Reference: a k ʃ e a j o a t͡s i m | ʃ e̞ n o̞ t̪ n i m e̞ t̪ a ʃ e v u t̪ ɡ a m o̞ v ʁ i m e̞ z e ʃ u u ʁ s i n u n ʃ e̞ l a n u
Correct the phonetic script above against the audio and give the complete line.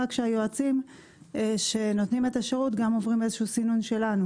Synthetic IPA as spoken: a k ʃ e a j o a t͡s i m | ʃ e̞ n o̞ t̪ n i m e̞ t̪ a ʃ e ʁ u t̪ ɡ a m o̞ v ʁ i m e̞ z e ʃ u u s i n u n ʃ e̞ l a n u